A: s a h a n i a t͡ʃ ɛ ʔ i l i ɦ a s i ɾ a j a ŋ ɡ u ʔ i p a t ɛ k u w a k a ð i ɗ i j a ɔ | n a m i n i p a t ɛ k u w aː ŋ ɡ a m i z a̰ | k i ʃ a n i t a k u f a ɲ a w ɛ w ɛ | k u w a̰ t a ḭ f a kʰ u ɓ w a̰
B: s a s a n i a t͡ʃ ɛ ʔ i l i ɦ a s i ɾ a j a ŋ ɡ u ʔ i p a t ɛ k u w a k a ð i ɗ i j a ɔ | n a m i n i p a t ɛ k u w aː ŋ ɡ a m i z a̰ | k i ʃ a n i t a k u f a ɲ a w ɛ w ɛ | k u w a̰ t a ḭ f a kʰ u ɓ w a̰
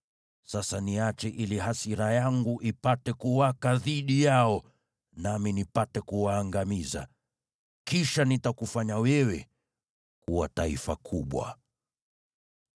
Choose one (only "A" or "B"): B